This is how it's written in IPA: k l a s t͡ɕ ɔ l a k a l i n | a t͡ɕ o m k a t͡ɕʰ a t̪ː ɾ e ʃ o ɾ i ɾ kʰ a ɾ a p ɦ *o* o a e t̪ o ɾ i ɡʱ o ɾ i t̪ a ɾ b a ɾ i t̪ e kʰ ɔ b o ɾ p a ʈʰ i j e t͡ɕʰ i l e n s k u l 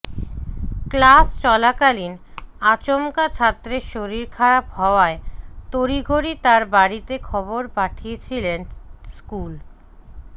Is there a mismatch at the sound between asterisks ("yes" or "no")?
yes